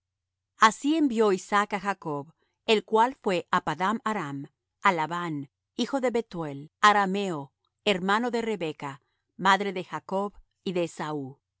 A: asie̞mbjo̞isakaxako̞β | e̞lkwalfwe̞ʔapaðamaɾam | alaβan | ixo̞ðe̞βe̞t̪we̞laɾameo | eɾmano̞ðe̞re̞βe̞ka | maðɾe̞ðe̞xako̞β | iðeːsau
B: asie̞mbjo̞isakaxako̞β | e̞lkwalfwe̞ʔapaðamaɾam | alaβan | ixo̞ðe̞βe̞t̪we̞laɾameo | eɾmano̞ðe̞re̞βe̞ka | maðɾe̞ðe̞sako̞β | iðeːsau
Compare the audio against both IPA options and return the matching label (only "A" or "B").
A